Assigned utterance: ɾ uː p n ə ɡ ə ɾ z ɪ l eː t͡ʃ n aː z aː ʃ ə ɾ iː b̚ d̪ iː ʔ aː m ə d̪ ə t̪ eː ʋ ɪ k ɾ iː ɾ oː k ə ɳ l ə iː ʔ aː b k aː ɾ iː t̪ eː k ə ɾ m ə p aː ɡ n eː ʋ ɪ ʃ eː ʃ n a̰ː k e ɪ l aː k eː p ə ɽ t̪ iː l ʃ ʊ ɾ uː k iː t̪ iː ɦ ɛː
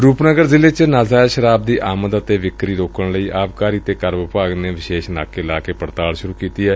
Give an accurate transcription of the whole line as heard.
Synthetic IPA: ɾ uː p n ə ɡ ə ɾ z ɪ l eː t͡ʃ n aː z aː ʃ ə ɾ aː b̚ d̪ iː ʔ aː m ə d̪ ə t̪ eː ʋ ɪ k ɾ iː ɾ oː k ə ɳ l ə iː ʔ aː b k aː ɾ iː t̪ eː k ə ɾ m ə p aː ɡ n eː ʋ ɪ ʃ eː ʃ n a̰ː k e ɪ l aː k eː p ə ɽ t̪ aː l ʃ ʊ ɾ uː k iː t̪ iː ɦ ɛː